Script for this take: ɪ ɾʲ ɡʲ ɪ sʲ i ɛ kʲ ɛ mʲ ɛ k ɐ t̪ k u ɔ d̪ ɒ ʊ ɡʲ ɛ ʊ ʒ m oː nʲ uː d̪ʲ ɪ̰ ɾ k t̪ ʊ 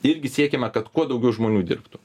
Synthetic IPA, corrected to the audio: ɪ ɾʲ ɡʲ ɪ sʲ i ɛ kʲ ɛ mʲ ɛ k ɐ t̪ k u ɔ d̪ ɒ ʊ ɡʲ ɛ ʊ ʒ m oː nʲ uː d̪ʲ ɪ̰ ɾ p t̪ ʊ